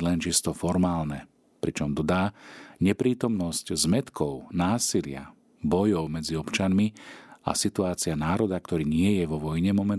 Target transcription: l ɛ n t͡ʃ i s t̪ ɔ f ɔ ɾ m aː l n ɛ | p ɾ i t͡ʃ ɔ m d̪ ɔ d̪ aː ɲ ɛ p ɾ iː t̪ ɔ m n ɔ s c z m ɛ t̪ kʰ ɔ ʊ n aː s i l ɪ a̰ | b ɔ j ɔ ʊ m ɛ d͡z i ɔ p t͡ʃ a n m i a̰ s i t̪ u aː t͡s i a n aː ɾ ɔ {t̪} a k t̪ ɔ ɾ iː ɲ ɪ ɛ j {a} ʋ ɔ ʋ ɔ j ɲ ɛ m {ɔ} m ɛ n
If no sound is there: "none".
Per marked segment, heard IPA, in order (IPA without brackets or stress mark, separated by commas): d̪, ɛ, ɔ